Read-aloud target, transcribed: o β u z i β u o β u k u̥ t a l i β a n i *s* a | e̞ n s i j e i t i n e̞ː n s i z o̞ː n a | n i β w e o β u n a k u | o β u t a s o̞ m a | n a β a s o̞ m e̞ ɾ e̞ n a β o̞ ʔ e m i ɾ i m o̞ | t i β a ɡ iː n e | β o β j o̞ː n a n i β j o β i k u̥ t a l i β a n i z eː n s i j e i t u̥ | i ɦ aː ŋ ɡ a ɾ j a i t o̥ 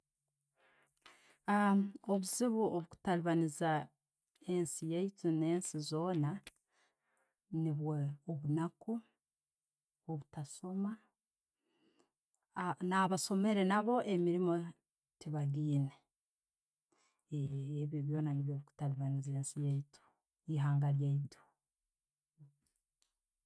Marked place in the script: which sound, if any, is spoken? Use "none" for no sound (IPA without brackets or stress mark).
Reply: z